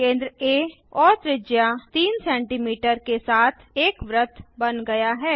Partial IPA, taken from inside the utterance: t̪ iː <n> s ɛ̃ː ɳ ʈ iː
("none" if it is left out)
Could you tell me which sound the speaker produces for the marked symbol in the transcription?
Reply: n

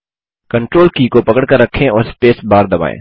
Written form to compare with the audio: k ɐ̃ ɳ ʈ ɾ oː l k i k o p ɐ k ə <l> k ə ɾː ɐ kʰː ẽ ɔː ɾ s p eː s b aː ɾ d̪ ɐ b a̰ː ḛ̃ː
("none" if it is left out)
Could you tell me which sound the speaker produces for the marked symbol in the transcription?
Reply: ɽ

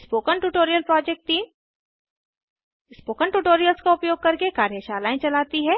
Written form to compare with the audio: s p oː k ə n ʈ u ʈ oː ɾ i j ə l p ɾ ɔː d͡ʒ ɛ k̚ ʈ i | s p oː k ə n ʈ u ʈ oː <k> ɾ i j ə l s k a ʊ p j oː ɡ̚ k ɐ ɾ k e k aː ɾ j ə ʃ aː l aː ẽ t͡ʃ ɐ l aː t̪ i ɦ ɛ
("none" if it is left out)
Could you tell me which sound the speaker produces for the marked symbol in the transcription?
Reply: none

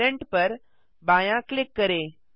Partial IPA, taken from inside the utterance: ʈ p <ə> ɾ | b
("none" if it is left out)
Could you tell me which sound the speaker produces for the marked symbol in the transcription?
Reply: ə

